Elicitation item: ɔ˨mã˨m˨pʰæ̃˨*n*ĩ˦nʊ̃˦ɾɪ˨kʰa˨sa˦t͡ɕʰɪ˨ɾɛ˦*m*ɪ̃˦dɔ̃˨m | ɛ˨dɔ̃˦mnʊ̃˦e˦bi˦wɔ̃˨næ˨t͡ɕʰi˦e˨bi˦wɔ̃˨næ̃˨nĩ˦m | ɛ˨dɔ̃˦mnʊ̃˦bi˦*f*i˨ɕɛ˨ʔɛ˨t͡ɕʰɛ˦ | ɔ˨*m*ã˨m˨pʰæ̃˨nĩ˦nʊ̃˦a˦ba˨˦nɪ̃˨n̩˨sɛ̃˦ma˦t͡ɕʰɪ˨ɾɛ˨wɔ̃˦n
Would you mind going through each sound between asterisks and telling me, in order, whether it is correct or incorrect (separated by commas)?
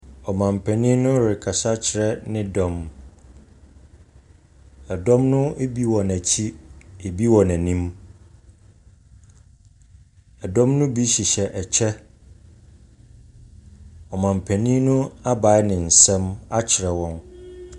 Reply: correct, incorrect, incorrect, correct